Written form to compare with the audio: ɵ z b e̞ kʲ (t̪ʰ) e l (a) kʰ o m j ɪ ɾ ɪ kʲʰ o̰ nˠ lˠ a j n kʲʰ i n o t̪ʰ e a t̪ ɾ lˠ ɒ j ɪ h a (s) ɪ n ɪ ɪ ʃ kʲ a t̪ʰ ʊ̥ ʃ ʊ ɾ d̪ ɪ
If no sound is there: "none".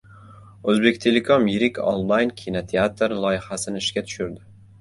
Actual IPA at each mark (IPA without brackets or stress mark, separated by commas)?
t̪ʰ, e, s